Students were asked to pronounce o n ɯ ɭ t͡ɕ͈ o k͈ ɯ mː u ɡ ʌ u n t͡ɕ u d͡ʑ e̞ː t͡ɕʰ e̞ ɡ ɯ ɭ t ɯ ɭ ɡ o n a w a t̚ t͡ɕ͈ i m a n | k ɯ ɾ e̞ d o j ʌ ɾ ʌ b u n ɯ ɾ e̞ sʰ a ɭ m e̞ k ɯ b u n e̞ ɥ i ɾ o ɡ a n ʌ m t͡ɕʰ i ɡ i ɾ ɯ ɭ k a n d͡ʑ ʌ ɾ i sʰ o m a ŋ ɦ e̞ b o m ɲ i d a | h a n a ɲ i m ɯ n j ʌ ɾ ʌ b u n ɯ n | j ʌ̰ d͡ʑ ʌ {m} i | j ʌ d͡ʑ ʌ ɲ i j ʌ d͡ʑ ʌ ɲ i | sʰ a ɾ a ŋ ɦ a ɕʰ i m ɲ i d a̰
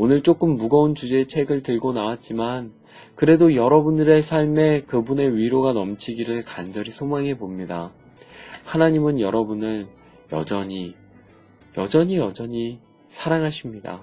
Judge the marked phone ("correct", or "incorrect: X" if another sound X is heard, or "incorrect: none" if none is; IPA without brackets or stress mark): incorrect: ɲ